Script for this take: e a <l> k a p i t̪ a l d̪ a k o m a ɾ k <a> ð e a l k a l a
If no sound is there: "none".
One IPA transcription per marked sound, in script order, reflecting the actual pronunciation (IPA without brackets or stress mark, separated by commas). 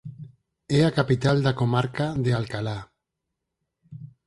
none, a